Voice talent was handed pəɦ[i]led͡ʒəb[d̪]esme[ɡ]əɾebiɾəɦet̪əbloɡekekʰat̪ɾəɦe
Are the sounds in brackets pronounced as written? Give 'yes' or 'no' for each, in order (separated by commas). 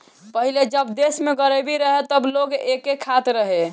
yes, yes, yes